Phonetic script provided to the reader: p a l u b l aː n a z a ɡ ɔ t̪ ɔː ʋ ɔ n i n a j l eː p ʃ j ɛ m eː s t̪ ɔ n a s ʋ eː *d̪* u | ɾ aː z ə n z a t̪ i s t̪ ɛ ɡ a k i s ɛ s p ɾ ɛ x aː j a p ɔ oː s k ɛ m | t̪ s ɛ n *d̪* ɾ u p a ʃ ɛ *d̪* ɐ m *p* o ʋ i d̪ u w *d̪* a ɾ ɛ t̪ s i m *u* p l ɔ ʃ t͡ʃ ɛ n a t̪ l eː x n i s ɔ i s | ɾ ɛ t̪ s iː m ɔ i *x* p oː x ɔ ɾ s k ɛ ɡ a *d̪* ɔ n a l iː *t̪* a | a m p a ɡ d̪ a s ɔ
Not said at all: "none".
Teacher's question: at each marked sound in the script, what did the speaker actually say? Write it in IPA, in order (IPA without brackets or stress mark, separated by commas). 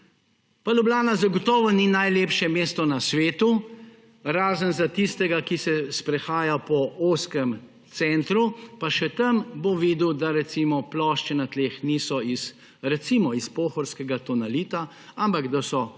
t̪, t̪, t̪, b, d̪, ɔ, s, t̪, t̪